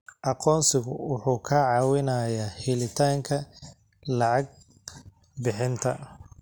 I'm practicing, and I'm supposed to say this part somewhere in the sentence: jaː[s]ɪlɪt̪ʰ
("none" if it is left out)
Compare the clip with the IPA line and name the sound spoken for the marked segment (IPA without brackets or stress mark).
h